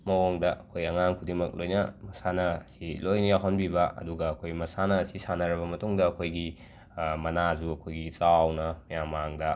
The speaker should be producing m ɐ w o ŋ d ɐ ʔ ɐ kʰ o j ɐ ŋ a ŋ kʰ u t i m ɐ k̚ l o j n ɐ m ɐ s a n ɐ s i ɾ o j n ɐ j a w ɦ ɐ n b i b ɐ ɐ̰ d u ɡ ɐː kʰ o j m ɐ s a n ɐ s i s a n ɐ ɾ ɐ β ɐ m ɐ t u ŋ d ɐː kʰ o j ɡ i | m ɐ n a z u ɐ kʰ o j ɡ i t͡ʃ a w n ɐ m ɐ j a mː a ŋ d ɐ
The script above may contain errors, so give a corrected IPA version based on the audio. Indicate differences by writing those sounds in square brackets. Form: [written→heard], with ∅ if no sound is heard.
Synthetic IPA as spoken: m ɐ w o ŋ d ɐ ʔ ɐ kʰ o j ɐ ŋ a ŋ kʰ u [t→d] i m ɐ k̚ l o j n ɐ m ɐ s a n ɐ s i [ɾ→l] o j n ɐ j a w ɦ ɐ n b i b ɐ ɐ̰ d u ɡ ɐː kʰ o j m ɐ s a n ɐ s i s a n ɐ ɾ ɐ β ɐ m ɐ t u ŋ d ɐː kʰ o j ɡ i | m ɐ n a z u ɐ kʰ o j ɡ i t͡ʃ a w n ɐ m ɐ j a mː a ŋ d ɐ